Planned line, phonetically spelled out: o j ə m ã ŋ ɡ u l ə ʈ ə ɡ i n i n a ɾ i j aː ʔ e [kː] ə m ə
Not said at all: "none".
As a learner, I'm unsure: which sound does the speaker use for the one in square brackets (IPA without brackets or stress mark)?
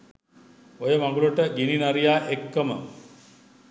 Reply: kː